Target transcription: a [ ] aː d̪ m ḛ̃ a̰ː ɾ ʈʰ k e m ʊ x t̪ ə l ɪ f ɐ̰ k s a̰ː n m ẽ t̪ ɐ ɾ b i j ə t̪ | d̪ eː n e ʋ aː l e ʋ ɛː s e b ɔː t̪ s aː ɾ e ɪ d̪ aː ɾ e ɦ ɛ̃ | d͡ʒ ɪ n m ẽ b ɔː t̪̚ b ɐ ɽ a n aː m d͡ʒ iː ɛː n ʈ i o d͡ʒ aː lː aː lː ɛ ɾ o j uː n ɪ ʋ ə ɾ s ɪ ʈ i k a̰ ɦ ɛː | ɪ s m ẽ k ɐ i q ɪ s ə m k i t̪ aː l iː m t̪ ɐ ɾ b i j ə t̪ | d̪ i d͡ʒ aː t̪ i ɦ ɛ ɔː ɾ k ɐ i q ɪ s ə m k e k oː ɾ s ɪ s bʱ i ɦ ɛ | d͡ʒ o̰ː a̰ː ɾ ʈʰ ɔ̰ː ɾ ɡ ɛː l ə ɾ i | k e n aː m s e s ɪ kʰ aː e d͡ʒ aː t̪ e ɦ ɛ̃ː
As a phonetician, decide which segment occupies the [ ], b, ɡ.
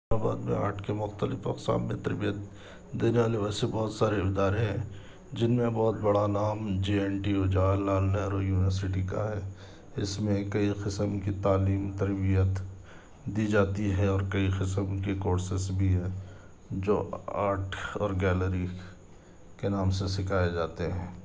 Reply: b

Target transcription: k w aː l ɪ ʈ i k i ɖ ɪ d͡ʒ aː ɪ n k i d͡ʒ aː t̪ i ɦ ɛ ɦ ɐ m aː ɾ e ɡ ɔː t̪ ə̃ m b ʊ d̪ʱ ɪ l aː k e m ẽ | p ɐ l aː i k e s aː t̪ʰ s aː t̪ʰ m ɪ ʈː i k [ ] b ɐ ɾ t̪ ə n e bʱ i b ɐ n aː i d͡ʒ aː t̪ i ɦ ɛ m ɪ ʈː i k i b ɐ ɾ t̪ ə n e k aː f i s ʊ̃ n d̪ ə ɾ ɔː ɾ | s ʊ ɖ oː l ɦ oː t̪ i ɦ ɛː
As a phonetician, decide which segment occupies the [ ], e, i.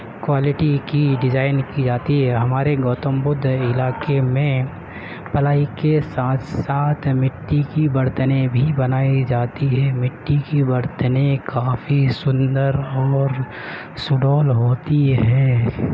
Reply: i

